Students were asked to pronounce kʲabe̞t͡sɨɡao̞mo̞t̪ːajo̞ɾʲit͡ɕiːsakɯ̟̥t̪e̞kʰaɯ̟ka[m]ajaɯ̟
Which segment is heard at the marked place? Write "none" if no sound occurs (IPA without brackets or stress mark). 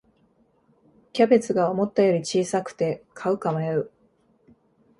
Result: m